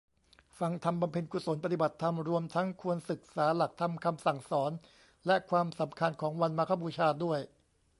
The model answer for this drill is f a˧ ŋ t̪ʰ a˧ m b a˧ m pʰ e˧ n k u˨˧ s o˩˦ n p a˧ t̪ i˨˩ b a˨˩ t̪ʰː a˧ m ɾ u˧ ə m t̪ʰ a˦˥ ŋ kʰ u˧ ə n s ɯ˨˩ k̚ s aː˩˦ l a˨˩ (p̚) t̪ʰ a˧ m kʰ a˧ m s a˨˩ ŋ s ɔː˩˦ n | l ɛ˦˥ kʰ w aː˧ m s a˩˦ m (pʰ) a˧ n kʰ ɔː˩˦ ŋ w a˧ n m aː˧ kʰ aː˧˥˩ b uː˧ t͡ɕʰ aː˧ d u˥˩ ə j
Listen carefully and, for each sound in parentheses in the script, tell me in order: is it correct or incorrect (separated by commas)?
incorrect, incorrect